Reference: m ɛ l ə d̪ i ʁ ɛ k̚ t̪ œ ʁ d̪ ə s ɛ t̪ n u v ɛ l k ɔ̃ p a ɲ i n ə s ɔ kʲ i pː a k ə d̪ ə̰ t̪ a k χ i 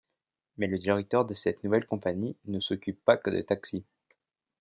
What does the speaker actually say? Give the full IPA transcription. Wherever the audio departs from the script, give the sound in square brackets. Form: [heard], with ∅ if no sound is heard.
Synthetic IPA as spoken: m ɛ l ə d̪ i ʁ ɛ k̚ t̪ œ ʁ d̪ ə s ɛ t̪ n u v ɛ l k ɔ̃ p a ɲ i n ə s ɔ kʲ [y] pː a k ə d̪ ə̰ t̪ a k [s] i